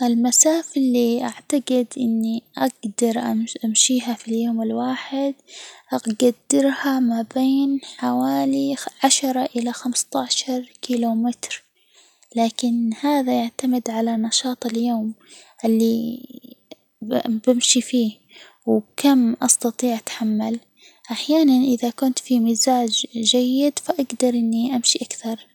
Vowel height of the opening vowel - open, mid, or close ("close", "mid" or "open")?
close